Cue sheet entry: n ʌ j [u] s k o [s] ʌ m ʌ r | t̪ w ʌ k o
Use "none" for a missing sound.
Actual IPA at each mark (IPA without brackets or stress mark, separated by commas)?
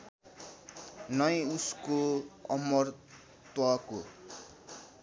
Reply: u, none